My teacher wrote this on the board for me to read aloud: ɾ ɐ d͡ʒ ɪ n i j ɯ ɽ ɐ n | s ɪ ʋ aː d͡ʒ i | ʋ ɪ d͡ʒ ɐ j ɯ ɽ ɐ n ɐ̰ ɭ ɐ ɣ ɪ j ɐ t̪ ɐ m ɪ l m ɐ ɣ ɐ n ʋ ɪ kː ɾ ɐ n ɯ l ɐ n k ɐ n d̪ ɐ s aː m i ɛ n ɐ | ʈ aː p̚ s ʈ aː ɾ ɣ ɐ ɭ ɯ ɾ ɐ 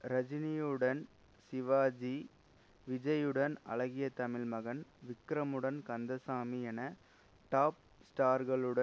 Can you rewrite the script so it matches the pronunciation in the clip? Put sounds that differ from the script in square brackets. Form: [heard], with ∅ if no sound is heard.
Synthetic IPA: ɾ ɐ d͡ʒ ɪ n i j ɯ ɽ ɐ n | s ɪ ʋ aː d͡ʒ i | ʋ ɪ d͡ʒ ɐ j ɯ ɽ ɐ n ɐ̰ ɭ ɐ ɣ ɪ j ɐ t̪ ɐ m ɪ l m ɐ ɣ ɐ n ʋ ɪ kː ɾ ɐ [m] ɯ [ɽ] ɐ n k ɐ n d̪ ɐ s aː m i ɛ n ɐ | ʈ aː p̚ s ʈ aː ɾ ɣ ɐ ɭ ɯ [ɽ] ɐ